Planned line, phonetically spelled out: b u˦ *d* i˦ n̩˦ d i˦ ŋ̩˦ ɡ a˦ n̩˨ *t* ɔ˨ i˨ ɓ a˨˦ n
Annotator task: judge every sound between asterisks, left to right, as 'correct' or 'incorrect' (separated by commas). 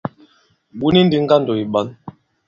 incorrect, incorrect